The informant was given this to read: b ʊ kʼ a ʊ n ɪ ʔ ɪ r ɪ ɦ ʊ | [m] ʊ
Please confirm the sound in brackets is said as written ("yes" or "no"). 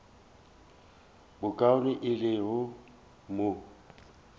yes